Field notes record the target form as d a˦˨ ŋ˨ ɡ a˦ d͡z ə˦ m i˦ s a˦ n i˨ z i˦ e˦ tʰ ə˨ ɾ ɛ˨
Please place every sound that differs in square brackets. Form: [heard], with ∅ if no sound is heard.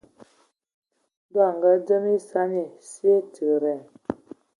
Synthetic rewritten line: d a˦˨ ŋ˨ ɡ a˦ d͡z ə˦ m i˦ s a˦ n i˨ [s] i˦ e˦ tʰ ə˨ ɾ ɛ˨